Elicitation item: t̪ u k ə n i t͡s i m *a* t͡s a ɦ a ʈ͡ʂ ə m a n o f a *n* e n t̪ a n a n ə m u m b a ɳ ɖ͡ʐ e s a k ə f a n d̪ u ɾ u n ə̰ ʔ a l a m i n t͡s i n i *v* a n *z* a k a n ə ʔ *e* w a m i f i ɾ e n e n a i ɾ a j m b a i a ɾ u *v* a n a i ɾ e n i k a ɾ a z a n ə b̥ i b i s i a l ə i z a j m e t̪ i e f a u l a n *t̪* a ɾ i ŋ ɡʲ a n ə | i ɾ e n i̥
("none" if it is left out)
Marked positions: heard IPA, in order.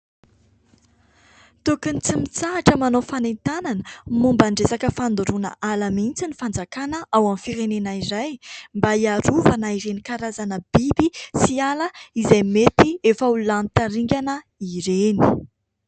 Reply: i, n, f, d͡z, a, v, t̪

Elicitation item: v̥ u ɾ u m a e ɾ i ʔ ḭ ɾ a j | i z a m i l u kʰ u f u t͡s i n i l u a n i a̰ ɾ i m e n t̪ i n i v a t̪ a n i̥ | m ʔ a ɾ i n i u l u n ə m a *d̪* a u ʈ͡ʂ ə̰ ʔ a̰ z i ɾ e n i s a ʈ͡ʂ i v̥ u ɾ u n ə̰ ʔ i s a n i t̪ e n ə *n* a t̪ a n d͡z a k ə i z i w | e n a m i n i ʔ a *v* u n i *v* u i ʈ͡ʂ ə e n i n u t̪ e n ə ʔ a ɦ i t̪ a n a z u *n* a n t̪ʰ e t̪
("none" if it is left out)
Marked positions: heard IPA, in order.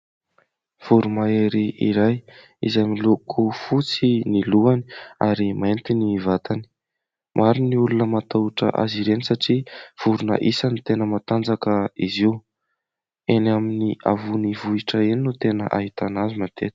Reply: t̪, m, v, v, m

